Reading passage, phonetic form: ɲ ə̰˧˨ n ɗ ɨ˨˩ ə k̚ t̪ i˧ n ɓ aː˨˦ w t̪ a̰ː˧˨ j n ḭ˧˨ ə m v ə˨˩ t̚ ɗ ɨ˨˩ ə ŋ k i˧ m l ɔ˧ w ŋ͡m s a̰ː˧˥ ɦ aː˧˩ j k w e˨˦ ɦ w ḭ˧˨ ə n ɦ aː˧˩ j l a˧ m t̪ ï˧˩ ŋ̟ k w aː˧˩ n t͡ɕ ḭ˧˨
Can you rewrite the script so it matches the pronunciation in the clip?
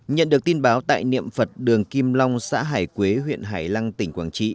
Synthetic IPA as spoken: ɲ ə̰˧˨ n ɗ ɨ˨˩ ə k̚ t̪ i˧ n ɓ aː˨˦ w t̪ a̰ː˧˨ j n ḭ˧˨ ə m f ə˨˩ t̚ ɗ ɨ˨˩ ə ŋ k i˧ m l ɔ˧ w ŋ͡m s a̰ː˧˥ ɦ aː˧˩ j k w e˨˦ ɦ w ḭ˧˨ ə n ɦ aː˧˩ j l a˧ ŋ t̪ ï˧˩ ŋ̟ k w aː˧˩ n t͡ɕ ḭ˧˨